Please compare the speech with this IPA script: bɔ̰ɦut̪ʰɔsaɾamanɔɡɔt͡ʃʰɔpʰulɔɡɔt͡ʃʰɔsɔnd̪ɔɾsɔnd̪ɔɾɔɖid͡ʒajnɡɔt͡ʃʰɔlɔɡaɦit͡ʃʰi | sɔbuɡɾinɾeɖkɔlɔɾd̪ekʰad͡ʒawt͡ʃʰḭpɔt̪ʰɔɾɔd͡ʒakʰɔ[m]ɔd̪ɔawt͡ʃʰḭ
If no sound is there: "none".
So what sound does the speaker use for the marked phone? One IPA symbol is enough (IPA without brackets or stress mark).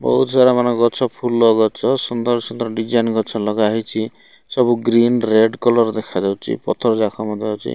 m